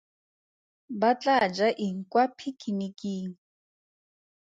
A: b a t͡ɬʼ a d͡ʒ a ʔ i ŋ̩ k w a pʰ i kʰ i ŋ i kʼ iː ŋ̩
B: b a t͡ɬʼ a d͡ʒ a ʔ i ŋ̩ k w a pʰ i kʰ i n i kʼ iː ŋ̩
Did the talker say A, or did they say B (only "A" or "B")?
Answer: B